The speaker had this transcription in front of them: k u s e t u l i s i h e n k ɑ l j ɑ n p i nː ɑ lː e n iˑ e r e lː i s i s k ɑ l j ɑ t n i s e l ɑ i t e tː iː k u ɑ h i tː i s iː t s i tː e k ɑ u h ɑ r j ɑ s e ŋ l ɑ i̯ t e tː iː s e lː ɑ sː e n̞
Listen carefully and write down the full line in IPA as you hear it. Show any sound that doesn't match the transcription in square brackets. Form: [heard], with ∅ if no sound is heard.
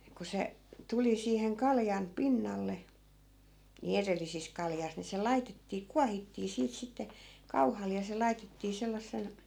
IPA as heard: k u s e t u l i s [iː] h e [ŋ] k ɑ l j ɑ n p i nː ɑ lː e n iˑ e r e lː i s i s k ɑ l j ɑ [s] n i s e l ɑ i t e tː iː k u ɑ h i tː [iː] s iː t s i tː e k ɑ u h ɑ [l] j ɑ s e [∅] l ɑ i̯ t e tː iː s e lː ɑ sː e n̞